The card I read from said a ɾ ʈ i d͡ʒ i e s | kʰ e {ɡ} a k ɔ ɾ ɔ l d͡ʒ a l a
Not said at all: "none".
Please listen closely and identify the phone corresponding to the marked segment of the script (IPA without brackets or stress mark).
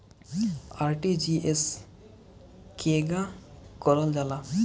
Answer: ɡ